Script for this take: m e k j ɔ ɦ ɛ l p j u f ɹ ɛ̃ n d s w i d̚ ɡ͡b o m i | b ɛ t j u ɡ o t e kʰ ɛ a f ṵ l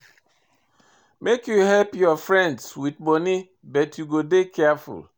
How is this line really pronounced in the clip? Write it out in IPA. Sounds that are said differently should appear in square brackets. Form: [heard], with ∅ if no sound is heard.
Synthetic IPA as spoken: m e k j [u] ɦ ɛ l p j [ɔ] f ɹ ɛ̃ n d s w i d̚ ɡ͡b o [n] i | b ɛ t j u ɡ o [d] e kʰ ɛ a f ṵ l

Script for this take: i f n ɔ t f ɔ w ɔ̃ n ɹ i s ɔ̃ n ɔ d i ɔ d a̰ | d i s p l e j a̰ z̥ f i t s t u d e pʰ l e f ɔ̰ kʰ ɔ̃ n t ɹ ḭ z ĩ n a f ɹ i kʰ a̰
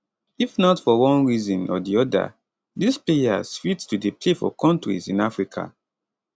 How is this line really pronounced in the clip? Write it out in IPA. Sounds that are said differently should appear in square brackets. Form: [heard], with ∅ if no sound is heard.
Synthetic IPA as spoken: i f n ɔ t f ɔ w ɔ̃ n ɹ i [z] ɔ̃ n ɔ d i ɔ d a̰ | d i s p l e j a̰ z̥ f i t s t u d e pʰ l e f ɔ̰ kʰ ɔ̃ n t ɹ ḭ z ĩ n a f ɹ i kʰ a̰

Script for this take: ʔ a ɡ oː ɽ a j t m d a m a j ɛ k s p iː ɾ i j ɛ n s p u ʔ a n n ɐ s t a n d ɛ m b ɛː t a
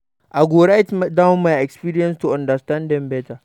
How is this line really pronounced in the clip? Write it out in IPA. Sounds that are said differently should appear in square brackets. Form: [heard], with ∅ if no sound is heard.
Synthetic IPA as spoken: ʔ a ɡ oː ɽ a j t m d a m a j ɛ k s p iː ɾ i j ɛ n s [t] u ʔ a n [d] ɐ s t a n d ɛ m b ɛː t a

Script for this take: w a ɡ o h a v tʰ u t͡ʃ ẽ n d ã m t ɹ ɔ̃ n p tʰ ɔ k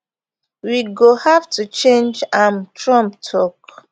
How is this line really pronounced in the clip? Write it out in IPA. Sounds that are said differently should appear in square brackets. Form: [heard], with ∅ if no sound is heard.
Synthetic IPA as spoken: w [i] ɡ o h a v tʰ u t͡ʃ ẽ n [d͡ʒ] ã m t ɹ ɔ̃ [m] p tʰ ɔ k

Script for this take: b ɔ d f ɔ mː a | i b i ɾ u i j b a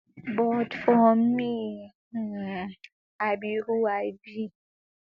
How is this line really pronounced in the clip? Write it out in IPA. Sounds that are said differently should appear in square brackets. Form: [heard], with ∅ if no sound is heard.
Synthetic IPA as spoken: b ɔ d f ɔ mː [i] | [a] b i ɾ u [a] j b [i]

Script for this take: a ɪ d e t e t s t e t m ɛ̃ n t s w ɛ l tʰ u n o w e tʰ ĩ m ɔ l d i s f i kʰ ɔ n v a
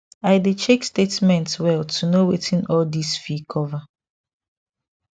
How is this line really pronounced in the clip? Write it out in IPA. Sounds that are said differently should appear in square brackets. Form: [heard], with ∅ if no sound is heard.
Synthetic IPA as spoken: a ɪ d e [t͡ʃ] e [k] s t e t m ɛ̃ n t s w ɛ l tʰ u n o w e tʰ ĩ [n] ɔ l d i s f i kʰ ɔ [∅] v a

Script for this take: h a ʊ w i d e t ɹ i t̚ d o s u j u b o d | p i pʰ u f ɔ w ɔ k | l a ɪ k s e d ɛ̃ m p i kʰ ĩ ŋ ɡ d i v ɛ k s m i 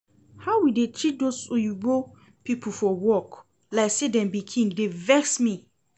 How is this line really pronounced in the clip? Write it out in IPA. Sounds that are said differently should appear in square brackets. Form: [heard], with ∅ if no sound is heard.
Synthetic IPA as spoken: h a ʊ w i d e t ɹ i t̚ d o s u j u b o [∅] | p i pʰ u f ɔ w ɔ k | l a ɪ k s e d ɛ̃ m [b] i kʰ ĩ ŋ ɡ d [e] v ɛ k s m i

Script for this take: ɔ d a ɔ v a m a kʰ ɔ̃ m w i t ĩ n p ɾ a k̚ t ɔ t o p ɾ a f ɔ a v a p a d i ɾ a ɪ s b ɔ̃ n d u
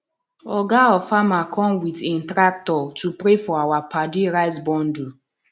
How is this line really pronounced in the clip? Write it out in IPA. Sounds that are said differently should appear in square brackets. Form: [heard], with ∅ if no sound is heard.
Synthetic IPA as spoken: ɔ [ɡ] a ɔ [f] a m a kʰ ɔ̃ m w i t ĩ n [t] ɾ a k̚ t ɔ t [u] p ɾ [e] f ɔ a [w] a p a d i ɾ a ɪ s b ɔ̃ n d u

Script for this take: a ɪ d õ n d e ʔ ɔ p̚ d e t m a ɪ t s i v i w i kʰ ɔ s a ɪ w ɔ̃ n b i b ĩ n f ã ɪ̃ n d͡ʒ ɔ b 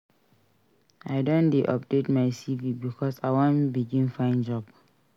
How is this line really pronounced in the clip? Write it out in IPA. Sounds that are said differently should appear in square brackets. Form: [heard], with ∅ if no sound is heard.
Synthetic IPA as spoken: a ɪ d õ n d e ʔ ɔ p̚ d e t m a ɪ [∅] s i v i [b] i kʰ ɔ s a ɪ w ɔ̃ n b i [ɡ] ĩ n f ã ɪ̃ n d͡ʒ ɔ b

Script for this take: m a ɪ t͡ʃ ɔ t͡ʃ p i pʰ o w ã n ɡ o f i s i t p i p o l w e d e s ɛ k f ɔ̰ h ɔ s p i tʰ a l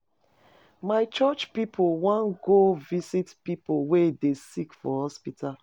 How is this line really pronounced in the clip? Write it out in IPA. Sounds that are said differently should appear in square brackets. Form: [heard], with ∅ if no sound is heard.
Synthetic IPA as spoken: m a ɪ t͡ʃ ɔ t͡ʃ p i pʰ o w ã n ɡ o [v] i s i t p i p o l w e d e s [i] k f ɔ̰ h ɔ s p i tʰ a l

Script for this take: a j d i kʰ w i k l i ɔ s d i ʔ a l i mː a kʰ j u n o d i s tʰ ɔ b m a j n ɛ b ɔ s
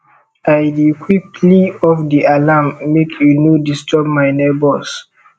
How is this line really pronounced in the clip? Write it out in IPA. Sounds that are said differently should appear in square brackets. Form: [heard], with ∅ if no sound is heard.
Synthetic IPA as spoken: a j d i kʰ w i k l i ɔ [f] d i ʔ a l [a] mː [e] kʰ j u n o d i s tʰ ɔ b m a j n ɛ b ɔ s

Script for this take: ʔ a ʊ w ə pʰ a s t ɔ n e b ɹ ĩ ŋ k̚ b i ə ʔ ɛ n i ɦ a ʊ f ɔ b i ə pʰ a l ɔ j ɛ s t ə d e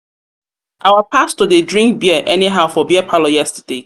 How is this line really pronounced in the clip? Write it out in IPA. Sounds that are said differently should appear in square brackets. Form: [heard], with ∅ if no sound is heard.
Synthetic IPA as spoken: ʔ a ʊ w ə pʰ a s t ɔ [d] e [d] ɹ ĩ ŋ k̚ b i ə ʔ ɛ n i ɦ a ʊ f ɔ b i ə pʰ a l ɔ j ɛ s t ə d e

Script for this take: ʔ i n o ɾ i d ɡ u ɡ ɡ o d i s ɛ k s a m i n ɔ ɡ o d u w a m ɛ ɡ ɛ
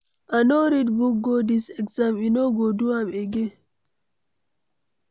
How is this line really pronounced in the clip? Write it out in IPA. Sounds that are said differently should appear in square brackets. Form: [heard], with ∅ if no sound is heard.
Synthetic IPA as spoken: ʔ [a] n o ɾ i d [b] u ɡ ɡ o d i s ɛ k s a m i n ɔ ɡ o d u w a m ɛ ɡ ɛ

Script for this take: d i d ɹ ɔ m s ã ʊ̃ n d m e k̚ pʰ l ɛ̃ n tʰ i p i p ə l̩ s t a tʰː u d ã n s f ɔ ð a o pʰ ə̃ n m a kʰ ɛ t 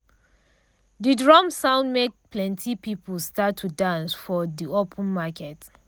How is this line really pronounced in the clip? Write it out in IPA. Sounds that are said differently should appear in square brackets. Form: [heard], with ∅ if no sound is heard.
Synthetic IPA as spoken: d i d ɹ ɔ m s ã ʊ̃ n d m e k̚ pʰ l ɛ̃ n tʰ i p i p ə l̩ s t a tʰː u d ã n s f ɔ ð [i] o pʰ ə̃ n m a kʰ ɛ t

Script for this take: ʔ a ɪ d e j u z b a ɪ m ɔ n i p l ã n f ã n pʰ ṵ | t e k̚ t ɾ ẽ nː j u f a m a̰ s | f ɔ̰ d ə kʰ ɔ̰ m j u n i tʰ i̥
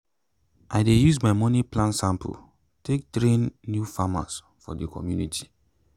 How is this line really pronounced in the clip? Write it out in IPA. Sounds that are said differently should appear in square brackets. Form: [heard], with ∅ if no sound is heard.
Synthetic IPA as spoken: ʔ a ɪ d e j u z [m] a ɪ m ɔ n i p l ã n [s] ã [m] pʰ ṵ | t e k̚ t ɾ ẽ nː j u f a m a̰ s | f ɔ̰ d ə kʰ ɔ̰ m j u n i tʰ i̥

